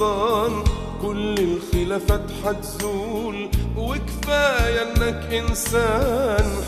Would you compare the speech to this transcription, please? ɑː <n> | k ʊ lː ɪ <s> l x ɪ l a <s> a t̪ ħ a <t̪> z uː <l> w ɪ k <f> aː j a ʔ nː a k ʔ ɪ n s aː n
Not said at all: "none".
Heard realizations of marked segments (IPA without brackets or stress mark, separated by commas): n, none, f, t̪, l, f